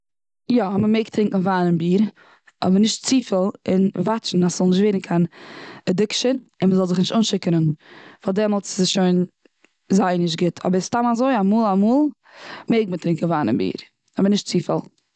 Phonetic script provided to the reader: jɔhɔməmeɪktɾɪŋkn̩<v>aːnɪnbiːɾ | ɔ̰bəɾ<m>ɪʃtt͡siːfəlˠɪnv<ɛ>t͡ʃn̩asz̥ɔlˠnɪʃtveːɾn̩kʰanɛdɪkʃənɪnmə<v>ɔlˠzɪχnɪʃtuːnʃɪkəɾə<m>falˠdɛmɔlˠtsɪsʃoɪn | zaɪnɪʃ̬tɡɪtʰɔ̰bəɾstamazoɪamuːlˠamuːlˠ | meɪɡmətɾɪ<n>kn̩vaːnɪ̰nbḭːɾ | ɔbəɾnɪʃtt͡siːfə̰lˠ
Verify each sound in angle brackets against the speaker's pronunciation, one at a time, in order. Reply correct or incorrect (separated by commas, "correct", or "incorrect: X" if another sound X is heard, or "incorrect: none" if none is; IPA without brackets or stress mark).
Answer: correct, incorrect: n, incorrect: a, incorrect: z, incorrect: n, incorrect: ŋ